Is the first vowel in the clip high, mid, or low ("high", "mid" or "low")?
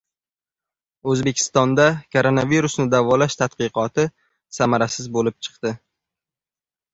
mid